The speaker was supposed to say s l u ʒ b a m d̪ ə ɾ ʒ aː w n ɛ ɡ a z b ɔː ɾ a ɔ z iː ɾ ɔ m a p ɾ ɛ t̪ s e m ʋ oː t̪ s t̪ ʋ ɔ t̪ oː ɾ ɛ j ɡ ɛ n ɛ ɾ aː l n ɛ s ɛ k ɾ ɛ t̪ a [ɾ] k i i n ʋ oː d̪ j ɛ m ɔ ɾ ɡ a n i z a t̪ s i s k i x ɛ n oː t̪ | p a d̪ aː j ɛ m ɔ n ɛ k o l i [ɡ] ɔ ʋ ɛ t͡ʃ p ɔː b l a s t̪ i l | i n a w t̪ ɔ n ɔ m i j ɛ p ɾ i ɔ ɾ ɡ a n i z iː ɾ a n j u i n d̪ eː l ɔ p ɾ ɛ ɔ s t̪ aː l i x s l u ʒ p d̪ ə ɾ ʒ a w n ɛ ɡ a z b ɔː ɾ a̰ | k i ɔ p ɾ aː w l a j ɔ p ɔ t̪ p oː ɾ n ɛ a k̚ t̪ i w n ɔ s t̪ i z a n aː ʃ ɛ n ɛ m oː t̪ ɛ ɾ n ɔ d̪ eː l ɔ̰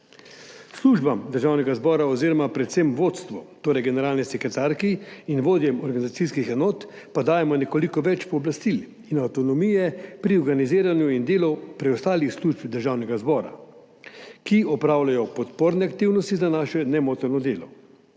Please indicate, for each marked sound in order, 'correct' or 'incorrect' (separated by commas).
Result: correct, incorrect